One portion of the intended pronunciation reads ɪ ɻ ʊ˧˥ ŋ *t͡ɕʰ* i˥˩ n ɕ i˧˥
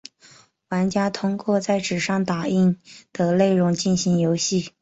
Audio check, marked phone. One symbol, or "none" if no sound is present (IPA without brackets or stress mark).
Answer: t͡ɕ